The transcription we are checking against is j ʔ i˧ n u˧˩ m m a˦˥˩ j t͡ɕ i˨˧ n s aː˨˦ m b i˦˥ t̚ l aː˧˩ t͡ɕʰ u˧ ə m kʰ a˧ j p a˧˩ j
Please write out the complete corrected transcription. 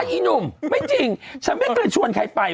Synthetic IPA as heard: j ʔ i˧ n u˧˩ m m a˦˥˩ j t͡ɕ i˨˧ ŋ s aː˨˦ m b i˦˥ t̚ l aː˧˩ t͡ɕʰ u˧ ə n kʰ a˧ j p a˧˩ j